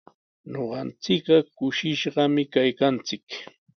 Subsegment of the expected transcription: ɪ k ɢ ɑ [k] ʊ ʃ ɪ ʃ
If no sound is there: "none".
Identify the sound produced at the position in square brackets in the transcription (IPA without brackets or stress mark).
k